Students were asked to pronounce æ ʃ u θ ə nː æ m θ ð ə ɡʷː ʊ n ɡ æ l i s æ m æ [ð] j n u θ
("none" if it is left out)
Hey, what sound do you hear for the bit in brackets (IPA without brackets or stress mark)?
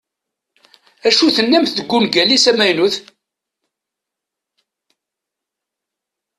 none